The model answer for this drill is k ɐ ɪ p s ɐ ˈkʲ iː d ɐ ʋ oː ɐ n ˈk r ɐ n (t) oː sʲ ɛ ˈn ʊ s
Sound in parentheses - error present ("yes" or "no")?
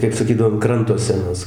no